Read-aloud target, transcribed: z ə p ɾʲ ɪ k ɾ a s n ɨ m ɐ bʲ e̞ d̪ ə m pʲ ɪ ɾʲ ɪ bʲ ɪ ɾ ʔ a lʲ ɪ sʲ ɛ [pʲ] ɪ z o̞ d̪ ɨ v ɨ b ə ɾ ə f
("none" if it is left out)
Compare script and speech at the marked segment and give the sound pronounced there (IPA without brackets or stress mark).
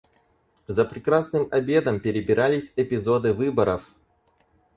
pʲ